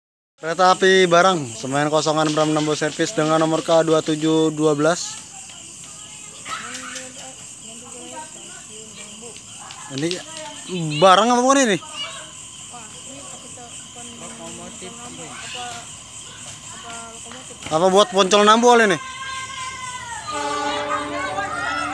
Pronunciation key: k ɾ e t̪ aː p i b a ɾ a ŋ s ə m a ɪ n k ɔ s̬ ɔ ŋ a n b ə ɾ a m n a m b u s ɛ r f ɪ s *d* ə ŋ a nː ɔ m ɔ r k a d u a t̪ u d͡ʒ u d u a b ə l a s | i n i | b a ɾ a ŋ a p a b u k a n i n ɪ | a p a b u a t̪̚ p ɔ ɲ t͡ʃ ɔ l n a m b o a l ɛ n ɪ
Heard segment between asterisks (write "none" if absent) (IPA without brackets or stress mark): d